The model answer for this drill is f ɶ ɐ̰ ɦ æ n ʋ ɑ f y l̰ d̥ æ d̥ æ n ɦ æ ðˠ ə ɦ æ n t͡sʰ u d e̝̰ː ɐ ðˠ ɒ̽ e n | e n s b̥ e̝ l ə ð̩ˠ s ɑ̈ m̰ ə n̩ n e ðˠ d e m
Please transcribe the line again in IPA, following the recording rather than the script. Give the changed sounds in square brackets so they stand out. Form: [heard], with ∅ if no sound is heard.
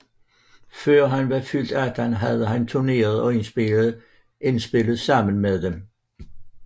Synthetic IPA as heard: f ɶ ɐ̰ ɦ æ n ʋ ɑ f y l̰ d̥ æ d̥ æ n ɦ æ ðˠ ə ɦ æ n t͡sʰ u [n] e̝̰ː ɐ ðˠ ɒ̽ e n | e n s b̥ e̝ l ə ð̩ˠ s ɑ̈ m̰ ə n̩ [m] e ðˠ d e m